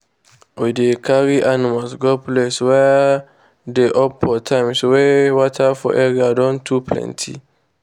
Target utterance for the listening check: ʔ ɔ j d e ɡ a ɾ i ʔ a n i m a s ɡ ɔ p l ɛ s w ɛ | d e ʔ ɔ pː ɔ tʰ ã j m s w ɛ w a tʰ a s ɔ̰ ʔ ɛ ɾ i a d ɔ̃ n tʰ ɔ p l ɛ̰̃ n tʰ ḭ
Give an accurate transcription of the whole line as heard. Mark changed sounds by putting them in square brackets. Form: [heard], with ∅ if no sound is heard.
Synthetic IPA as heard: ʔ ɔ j d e [k] a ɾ i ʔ a n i m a s ɡ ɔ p l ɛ s w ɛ | d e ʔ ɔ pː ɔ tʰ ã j m s w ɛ w a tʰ a [f] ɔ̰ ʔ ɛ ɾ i a d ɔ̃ n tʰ [u] p l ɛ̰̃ n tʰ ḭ